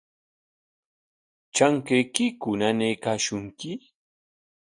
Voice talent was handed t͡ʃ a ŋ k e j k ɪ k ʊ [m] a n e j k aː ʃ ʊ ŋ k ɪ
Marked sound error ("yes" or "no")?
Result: yes